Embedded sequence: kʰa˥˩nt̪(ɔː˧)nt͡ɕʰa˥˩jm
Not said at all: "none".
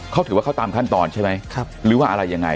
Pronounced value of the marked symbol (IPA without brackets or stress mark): ɔː˧